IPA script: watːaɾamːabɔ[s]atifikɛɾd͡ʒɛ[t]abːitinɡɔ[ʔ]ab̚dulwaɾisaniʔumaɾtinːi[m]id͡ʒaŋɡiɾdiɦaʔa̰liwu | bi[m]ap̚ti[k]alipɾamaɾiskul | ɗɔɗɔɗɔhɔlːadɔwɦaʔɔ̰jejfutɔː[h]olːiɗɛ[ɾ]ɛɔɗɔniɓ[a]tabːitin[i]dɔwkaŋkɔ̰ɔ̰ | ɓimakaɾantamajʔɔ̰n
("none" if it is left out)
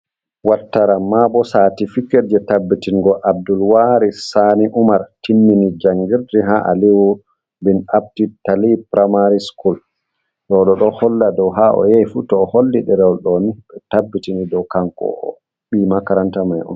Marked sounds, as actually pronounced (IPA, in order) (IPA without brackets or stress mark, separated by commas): s, t, ʔ, n, n, t, h, ɾ, ɛ, i